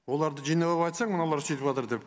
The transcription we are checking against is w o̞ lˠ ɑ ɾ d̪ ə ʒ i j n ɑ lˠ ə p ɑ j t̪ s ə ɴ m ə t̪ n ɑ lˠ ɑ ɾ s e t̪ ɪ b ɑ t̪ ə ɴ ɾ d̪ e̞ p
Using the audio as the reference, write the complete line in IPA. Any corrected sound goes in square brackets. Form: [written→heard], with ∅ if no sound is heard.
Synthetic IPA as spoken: w o̞ lˠ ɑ ɾ d̪ ə ʒ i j n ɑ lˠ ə p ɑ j t̪ s [ə→ɑ] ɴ m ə [t̪→∅] n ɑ lˠ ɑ ɾ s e t̪ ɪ [b→p] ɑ t̪ ə [ɴ→∅] ɾ d̪ e̞ p

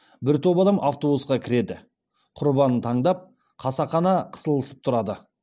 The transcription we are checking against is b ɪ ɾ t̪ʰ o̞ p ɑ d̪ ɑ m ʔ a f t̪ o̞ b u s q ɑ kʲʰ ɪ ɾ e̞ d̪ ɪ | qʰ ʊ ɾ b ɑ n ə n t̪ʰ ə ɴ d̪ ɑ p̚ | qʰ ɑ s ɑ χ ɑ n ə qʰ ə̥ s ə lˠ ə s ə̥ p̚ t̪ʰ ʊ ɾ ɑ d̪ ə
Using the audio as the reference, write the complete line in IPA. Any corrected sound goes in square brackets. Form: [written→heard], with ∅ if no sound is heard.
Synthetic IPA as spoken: b ɪ ɾ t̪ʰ o̞ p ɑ d̪ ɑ m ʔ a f t̪ o̞ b u s q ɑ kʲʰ ɪ ɾ e̞ d̪ ɪ | qʰ ʊ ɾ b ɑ n ə n t̪ʰ [ə→ɑ] ɴ d̪ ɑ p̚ | qʰ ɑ s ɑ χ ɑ n [ə→ɑ] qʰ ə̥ s ə lˠ ə s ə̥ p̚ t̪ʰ ʊ ɾ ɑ d̪ ə

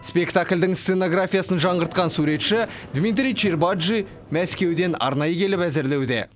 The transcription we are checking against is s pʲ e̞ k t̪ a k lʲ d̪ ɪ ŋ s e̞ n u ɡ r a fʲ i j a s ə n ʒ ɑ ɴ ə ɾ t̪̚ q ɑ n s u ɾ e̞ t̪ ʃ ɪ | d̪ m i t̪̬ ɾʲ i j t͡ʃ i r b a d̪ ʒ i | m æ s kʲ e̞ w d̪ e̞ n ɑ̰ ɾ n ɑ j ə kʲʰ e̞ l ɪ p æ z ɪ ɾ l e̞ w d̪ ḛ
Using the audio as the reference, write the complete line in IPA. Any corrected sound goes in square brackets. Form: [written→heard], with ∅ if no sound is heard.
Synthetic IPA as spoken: s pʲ e̞ k t̪ a k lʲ d̪ ɪ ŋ s e̞ n [u→o] ɡ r a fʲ i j a s ə n ʒ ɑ ɴ ə ɾ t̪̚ q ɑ n s u ɾ e̞ t̪ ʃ ɪ | d̪ m i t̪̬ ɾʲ i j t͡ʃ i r b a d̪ ʒ i | m æ s kʲ e̞ w d̪ e̞ n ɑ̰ ɾ n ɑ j ə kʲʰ e̞ l ɪ p æ z ɪ ɾ l e̞ w d̪ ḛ

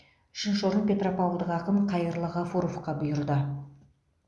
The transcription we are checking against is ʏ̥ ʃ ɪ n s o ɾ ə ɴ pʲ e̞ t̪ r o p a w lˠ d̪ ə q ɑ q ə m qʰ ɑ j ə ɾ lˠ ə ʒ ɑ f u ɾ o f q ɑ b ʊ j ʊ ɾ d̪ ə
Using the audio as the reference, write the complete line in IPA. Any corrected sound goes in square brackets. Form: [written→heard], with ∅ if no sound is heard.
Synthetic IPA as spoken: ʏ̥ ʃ ɪ n [s→ʃ] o ɾ ə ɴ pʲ e̞ t̪ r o p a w lˠ d̪ ə q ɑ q ə m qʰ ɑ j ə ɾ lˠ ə [ʒ→ʁ] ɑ f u ɾ o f q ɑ b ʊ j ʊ ɾ d̪ ə

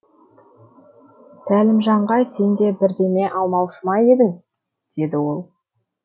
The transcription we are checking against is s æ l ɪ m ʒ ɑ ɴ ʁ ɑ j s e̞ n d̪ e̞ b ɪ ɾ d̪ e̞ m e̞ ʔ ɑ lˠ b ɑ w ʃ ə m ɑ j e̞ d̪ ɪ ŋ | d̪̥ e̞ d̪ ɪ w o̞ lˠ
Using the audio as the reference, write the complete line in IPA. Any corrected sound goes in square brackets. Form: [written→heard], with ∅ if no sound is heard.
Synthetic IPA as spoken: s æ l ɪ m ʒ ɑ ɴ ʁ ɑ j s e̞ n d̪ e̞ b ɪ ɾ d̪ e̞ m e̞ ʔ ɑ lˠ [b→m] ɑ w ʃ ə m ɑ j e̞ d̪ ɪ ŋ | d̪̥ e̞ d̪ ɪ w o̞ lˠ

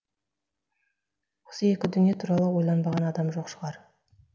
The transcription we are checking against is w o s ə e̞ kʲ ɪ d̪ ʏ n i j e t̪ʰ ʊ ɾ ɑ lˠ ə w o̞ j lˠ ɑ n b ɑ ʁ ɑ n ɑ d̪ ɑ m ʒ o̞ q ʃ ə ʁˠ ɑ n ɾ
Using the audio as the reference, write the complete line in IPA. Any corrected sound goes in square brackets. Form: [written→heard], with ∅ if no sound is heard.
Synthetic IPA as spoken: w o s ə e̞ kʲ ɪ d̪ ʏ n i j e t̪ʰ [ʊ→u] ɾ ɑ lˠ ə w o̞ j lˠ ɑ n b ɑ ʁ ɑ n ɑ d̪ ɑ m ʒ o̞ q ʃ ə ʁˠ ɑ [n→∅] ɾ

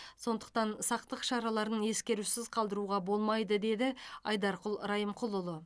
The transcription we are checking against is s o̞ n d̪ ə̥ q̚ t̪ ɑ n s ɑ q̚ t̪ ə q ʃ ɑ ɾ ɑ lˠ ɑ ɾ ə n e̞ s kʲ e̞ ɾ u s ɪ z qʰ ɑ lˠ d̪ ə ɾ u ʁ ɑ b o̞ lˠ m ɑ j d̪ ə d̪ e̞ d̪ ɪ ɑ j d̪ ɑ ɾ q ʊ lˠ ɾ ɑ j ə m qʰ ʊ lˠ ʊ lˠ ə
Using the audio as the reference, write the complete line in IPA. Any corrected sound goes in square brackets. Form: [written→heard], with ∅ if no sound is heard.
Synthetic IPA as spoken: s o̞ n d̪ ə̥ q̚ t̪ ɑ n s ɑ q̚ t̪ ə q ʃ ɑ ɾ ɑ lˠ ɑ ɾ ə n e̞ s kʲ e̞ ɾ u s ɪ z qʰ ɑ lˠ d̪ ə ɾ u ʁ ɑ b o̞ lˠ m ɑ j d̪ ə d̪ e̞ d̪ ɪ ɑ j d̪ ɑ ɾ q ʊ lˠ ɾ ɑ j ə m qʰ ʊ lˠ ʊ lˠ ə

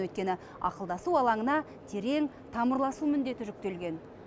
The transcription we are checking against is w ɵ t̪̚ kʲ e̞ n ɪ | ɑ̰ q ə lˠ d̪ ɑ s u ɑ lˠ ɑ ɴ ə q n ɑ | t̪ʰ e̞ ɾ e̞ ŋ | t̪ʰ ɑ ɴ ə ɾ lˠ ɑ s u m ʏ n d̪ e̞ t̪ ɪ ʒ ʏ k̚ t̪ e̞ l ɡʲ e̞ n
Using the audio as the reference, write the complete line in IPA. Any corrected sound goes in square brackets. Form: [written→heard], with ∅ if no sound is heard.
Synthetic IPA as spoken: w ɵ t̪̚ kʲ e̞ n ɪ | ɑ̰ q ə lˠ d̪ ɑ s u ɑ lˠ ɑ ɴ ə [q→∅] n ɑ | t̪ʰ e̞ ɾ e̞ ŋ | t̪ʰ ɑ [ɴ→m] ə ɾ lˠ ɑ s u m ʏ n d̪ e̞ t̪ ɪ ʒ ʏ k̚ t̪ e̞ l ɡʲ e̞ n

